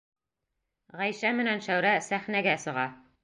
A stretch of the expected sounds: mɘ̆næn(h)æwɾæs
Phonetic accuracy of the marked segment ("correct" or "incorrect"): incorrect